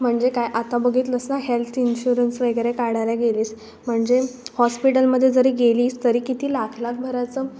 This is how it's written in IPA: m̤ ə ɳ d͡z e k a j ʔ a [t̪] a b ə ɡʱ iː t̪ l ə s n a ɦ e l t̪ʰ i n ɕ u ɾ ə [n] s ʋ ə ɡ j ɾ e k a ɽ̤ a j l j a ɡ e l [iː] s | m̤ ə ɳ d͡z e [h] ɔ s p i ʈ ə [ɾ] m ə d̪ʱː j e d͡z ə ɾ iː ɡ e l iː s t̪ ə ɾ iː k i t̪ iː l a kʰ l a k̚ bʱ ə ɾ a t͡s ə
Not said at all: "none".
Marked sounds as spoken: t̪, n, iː, h, l

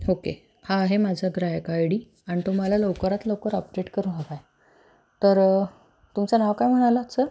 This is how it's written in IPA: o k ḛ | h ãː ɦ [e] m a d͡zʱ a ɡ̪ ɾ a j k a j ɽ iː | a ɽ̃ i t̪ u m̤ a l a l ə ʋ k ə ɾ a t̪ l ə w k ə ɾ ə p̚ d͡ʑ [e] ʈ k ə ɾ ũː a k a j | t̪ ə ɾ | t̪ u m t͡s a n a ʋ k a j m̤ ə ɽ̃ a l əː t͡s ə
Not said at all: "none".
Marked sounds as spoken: e, e

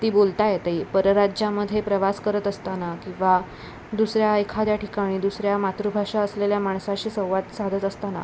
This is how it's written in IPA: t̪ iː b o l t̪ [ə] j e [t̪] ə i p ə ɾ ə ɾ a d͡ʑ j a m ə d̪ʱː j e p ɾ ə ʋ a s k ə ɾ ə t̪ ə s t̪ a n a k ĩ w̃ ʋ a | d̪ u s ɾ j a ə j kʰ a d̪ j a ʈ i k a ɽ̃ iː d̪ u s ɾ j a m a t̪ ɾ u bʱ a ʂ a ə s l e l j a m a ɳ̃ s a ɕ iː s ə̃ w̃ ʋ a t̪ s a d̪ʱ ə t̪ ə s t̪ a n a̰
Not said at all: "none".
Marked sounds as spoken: a, t̪

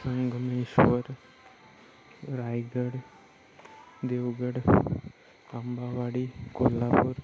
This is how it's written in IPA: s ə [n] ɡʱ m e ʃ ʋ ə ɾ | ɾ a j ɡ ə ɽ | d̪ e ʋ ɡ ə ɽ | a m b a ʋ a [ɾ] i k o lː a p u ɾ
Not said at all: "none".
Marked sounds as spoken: ŋ, ɽ

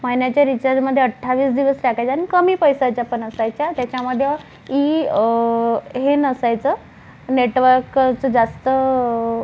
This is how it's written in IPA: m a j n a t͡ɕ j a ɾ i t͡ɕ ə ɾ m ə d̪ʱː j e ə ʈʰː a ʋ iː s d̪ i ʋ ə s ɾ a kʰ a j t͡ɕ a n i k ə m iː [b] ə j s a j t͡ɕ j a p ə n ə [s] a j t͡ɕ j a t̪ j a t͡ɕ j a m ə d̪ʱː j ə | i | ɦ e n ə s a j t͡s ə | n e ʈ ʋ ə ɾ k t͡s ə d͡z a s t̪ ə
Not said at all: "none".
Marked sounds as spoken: p, s

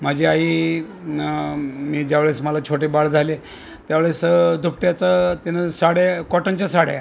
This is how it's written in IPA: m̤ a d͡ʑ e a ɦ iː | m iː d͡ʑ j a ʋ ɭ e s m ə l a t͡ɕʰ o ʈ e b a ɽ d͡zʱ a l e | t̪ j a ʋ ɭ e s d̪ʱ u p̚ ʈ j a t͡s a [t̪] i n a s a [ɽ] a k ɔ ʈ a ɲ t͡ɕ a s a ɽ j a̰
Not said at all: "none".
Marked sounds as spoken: t̪, ɽ

